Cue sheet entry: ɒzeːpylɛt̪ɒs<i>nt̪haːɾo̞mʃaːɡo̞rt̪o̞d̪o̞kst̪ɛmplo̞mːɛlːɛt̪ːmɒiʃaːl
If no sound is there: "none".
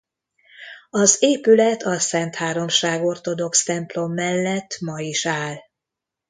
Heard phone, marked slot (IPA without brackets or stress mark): ɛ